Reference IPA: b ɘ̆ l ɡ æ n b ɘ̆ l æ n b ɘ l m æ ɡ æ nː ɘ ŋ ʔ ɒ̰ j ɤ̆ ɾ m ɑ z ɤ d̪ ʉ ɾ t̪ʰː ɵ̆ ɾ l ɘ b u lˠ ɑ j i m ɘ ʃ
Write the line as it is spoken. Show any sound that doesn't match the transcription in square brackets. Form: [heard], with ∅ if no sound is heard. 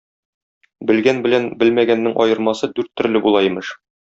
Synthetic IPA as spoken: b ɘ̆ l ɡ æ n b ɘ̆ l æ n b ɘ l m æ ɡ æ nː ɘ ŋ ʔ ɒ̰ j ɤ̆ ɾ m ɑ [s] ɤ d̪ ʉ ɾ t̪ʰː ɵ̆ ɾ l ɘ b u lˠ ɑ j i m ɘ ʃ